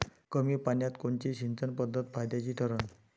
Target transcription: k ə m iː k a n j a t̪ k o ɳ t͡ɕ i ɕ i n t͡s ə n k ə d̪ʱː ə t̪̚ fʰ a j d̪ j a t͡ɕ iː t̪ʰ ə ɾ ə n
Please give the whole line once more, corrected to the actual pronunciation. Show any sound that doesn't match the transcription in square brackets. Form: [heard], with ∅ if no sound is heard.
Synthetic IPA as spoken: k ə m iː [p] a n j a t̪ k o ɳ t͡ɕ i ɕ i n t͡s ə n [p] ə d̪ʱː ə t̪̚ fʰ a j d̪ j a t͡ɕ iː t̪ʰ ə ɾ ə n